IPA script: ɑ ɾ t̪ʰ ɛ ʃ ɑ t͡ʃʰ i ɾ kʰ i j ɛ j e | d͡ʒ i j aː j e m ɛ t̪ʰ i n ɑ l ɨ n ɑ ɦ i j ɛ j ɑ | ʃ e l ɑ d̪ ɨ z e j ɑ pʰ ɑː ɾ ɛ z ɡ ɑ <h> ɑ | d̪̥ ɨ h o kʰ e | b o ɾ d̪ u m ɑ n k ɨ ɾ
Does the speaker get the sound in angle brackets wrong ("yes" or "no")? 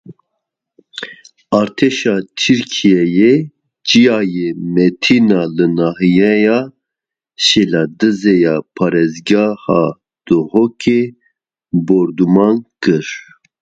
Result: no